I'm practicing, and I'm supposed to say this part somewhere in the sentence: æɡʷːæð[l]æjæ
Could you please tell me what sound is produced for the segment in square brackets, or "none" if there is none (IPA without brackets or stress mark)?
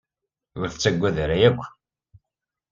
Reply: ɾ